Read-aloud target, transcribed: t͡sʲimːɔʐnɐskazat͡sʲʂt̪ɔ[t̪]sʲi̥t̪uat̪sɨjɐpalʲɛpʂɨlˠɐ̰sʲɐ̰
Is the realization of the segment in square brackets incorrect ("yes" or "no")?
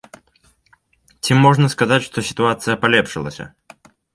yes